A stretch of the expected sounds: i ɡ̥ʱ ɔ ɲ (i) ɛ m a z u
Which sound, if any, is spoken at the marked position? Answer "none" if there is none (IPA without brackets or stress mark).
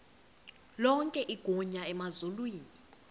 a